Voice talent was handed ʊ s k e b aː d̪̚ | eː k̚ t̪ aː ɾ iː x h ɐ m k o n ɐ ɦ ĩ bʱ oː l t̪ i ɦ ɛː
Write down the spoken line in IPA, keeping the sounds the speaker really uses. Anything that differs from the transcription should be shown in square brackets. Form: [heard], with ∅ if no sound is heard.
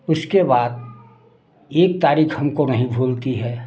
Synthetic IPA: ʊ s k e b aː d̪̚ | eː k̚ t̪ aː ɾ iː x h ɐ m k o n ɐ ɦ ĩ bʱ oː l t̪ i ɦ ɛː